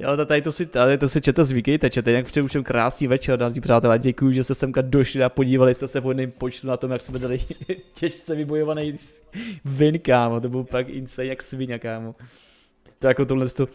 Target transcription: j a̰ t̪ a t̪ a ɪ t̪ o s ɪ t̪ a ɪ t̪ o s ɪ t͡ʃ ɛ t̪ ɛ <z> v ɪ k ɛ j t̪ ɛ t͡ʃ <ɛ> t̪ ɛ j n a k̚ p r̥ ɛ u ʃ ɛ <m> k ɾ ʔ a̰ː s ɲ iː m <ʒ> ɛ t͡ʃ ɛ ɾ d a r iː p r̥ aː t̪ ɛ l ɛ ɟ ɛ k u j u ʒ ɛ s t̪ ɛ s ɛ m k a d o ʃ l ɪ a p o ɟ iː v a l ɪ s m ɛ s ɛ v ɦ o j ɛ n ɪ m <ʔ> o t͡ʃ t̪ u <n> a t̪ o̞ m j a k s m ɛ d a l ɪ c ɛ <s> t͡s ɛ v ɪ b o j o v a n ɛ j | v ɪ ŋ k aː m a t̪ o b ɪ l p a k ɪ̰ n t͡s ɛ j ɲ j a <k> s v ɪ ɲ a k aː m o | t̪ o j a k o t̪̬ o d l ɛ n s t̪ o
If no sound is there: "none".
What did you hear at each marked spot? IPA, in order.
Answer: z, ɛ, m, v, p, n, ʃ, k

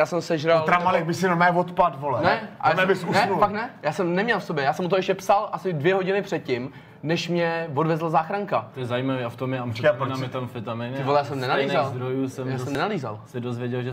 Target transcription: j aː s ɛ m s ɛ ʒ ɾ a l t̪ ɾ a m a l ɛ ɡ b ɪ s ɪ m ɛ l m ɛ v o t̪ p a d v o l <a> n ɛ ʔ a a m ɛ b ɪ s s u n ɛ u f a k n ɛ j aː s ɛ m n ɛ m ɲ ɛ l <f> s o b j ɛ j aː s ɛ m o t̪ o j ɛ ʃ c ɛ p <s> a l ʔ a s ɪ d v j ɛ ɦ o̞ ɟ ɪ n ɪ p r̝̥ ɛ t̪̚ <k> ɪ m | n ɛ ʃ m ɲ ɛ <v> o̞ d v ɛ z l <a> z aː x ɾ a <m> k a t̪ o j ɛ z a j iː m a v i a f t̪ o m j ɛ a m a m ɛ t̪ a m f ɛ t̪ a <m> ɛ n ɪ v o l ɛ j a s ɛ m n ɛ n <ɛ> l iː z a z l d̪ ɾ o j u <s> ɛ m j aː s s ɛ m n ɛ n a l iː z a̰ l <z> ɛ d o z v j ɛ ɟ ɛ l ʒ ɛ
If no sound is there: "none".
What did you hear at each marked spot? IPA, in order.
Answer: ɛ, f, s, c, v, a, ŋ, m, a, s, s

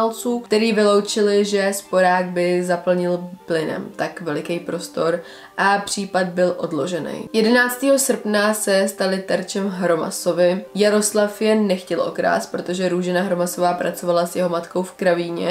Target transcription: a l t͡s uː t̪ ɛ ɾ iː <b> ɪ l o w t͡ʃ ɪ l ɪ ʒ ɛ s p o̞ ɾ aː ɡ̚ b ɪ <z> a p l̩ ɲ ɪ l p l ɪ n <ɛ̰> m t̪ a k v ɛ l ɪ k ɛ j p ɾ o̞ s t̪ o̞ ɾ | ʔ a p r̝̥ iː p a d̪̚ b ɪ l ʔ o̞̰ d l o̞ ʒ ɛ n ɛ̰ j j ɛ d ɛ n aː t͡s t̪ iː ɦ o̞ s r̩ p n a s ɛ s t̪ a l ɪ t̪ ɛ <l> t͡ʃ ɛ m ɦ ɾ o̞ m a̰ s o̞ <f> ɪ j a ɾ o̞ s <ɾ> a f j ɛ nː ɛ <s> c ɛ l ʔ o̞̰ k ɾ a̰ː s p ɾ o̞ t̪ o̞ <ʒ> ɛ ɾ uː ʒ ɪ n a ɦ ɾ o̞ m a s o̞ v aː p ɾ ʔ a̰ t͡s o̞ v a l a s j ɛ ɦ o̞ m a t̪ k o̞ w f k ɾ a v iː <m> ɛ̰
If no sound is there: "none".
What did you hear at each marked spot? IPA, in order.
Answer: v, z, ɛ̰, ɾ, v, l, x, ʒ, ɲ

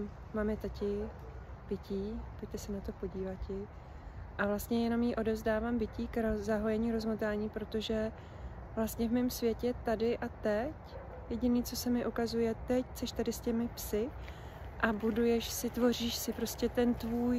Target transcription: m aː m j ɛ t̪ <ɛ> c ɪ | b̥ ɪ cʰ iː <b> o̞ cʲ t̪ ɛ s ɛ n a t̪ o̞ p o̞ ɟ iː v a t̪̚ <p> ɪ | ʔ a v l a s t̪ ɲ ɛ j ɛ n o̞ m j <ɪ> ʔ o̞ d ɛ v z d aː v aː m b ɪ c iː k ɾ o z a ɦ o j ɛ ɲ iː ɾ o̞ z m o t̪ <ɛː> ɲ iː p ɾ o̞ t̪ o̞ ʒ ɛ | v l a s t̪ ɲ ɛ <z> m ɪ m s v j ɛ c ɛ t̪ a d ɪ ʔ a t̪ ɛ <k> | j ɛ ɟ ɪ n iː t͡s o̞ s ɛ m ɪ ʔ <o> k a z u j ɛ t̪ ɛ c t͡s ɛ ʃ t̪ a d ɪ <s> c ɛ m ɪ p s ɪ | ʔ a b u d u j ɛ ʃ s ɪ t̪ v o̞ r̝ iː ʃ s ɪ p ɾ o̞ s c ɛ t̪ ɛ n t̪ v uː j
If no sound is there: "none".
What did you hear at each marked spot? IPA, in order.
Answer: a, p, c, i, aː, v, c, u, s

